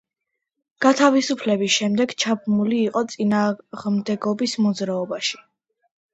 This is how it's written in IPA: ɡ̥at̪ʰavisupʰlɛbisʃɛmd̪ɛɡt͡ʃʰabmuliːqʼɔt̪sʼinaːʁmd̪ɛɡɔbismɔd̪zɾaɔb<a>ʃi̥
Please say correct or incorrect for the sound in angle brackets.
correct